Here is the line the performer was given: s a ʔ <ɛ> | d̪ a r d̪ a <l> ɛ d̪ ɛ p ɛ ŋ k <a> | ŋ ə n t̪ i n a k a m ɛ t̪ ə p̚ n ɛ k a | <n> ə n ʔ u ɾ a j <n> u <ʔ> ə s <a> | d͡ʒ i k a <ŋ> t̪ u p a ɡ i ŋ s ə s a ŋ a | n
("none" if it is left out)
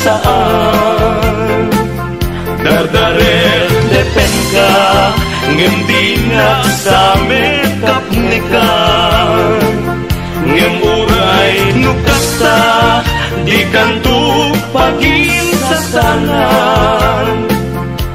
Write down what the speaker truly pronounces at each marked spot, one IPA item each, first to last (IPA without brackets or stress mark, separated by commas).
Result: a, ɾ, a, ŋ, n, k, a, n